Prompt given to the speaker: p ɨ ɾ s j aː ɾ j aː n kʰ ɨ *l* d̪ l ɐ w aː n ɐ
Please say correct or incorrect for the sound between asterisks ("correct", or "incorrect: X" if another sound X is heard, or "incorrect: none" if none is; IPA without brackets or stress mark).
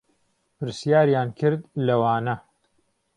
incorrect: ɾ